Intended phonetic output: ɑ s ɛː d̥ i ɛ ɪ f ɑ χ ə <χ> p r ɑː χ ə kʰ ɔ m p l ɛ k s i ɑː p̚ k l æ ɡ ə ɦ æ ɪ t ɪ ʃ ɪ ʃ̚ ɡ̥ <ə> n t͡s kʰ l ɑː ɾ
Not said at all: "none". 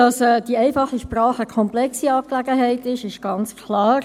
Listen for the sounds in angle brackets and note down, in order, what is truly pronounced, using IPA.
ʃ, ɑ

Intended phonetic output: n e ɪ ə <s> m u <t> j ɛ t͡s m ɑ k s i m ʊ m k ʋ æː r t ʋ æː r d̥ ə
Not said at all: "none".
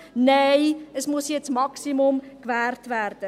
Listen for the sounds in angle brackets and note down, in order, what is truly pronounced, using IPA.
s, s

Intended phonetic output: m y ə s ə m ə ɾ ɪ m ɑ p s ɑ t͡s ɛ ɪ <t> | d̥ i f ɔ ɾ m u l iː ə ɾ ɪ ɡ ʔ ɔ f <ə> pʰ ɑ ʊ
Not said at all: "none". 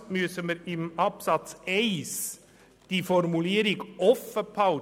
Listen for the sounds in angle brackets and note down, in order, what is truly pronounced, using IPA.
s, ə

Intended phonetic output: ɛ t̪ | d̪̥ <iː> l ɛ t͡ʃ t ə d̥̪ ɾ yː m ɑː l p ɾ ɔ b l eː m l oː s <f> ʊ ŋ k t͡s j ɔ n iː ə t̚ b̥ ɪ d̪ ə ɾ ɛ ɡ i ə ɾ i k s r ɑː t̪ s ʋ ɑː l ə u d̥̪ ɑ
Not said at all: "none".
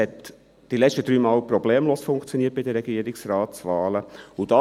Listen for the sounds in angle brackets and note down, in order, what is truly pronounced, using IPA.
i, f

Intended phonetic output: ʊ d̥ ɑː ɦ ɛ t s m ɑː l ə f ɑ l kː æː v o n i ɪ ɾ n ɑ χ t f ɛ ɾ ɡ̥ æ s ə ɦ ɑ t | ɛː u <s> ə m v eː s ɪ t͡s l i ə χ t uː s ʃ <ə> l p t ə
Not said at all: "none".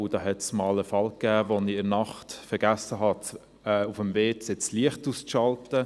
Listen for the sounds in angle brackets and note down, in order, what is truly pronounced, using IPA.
f, ɑ

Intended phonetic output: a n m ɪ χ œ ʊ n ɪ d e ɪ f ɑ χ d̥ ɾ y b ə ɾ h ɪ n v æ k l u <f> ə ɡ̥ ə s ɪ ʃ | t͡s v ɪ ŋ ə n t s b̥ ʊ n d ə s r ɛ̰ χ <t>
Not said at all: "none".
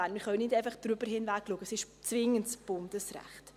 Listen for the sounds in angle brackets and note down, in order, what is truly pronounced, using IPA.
none, t

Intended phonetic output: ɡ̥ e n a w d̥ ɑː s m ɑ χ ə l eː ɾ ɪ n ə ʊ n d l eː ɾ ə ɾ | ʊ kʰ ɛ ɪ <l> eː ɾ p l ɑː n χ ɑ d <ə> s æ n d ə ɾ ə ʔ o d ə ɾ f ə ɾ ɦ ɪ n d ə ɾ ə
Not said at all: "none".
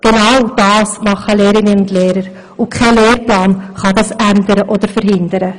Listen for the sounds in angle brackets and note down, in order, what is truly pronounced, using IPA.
l, ɑ

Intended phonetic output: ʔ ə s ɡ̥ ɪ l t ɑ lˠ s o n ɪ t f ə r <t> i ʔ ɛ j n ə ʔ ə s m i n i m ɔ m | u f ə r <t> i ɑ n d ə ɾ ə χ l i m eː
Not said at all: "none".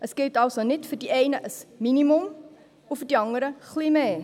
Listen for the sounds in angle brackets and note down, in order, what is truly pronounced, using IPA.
d, d

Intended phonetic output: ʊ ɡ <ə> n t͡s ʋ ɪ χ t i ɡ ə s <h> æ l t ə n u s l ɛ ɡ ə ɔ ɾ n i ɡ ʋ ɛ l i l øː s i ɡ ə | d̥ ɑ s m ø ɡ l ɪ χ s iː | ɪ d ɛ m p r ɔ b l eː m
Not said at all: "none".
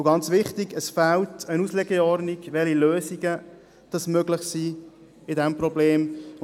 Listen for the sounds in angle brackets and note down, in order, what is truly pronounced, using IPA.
ɑ, f

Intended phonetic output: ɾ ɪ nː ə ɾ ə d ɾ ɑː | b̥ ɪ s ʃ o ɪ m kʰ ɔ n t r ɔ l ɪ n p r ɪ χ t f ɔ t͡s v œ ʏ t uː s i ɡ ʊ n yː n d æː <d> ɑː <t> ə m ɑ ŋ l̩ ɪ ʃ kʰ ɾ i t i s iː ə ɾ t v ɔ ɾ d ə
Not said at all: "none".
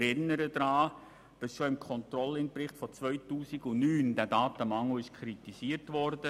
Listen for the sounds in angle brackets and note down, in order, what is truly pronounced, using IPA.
d, t

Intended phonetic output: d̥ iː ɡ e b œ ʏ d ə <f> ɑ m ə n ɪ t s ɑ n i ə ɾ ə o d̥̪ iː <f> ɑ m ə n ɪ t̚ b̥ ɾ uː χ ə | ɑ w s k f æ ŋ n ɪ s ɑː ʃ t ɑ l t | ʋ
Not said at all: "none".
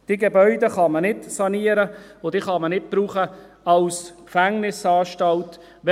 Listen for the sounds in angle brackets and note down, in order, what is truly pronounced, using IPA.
χ, χ

